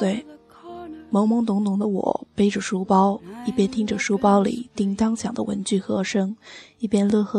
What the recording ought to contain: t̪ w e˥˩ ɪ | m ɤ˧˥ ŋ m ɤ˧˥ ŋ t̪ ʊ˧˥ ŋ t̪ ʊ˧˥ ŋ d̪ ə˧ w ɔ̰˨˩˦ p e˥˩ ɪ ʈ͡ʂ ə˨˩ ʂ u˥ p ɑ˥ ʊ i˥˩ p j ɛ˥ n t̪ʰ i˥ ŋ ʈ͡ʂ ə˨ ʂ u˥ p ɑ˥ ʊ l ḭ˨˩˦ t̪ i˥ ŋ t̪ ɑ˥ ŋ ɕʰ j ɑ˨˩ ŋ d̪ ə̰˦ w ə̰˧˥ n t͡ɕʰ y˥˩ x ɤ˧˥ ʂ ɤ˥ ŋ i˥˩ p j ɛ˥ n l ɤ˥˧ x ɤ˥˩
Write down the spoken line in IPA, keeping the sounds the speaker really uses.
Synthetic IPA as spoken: t̪ w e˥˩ ɪ | m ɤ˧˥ ŋ m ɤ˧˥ ŋ t̪ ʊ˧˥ ŋ t̪ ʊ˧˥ ŋ d̪ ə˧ w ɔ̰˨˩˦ p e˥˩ ɪ ʈ͡ʂ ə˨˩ ʂ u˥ p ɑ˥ ʊ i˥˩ p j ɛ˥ n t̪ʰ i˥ ŋ ʈ͡ʂ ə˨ ʂ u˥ p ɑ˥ ʊ l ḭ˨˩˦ t̪ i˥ ŋ t̪ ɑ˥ ŋ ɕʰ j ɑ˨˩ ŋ d̪ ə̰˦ w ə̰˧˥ n t͡ɕ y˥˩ x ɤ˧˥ ʂ ɤ˥ ŋ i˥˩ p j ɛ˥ n l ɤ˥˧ x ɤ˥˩